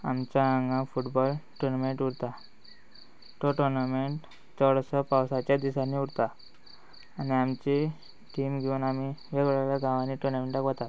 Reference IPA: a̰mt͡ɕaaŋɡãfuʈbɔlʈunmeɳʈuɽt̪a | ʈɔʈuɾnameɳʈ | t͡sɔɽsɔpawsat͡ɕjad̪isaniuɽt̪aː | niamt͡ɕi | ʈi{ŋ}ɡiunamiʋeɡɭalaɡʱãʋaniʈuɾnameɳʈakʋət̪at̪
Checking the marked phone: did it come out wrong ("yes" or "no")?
yes